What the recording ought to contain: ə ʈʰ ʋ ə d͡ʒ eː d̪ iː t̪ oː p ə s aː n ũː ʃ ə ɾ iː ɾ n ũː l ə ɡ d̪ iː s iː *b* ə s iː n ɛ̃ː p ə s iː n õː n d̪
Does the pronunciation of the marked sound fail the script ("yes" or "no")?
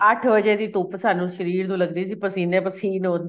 yes